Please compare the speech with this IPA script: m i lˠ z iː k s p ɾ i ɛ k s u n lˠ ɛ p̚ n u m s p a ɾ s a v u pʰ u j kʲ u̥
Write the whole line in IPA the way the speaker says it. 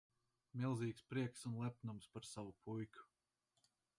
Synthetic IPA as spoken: m i lˠ z iː k s p ɾ i ɛ k s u n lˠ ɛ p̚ n u m s p a ɾ s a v u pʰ u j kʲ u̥